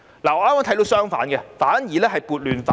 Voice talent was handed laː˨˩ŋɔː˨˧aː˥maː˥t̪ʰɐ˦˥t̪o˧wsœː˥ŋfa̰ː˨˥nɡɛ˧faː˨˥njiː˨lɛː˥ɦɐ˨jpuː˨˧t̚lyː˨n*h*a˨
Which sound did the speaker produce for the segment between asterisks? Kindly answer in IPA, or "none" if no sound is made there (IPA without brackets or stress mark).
f